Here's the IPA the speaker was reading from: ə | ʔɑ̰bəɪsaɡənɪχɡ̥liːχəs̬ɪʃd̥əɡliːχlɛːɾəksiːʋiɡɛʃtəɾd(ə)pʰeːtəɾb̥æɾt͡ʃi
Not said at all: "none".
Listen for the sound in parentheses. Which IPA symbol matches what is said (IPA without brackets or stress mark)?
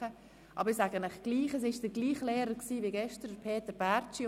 ə